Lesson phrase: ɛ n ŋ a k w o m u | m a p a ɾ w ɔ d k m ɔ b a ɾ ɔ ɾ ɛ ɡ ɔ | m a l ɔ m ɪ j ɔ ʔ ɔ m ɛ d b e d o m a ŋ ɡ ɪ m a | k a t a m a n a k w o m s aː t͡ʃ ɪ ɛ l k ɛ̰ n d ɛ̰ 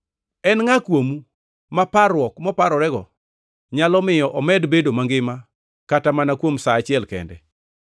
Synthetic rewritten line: ɛ n ŋ a k w o m u | m a p a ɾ w ɔ k m ɔ p a ɾ ɔ ɾ ɛ ɡ ɔ | ɲ a l ɔ m ɪ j ɔ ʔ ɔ m ɛ d b e d o m a ŋ ɡ ɪ m a | k a t a m a n a k w o m s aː t͡ʃ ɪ ɛ l k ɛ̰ n d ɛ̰